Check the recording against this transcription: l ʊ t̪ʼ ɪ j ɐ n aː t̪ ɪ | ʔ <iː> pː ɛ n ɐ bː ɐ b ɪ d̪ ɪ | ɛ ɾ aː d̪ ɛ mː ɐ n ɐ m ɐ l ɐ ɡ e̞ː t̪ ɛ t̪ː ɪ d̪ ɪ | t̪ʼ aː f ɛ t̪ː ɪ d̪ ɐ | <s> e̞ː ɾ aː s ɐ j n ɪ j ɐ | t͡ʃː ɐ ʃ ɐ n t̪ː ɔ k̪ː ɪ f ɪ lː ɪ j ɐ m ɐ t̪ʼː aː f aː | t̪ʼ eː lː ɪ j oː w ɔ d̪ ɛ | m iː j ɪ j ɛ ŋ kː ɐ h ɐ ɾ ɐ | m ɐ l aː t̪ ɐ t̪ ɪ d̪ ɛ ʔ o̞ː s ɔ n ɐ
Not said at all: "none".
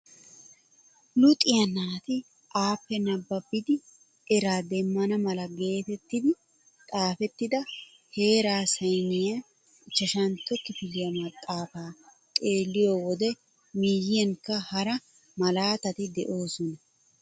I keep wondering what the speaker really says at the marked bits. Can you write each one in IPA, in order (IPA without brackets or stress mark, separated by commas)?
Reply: aː, h